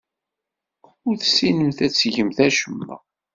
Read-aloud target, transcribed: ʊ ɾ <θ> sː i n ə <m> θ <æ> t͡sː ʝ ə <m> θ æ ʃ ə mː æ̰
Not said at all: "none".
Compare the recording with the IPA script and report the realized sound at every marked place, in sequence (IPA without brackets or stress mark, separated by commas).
θ, m, æ, m